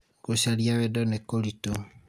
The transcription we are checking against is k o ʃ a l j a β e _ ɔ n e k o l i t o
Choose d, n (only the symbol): d